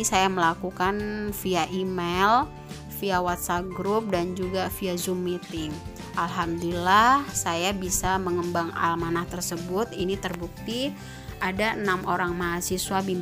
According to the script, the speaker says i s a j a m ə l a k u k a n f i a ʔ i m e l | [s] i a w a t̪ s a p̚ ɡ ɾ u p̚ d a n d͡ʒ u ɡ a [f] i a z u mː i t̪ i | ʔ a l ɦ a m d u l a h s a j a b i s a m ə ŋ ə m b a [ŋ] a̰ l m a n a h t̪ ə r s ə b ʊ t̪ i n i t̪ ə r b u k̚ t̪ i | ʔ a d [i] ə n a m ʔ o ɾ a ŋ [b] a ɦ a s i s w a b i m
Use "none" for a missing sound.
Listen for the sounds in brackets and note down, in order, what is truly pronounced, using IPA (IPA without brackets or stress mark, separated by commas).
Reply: f, f, ŋ, a, m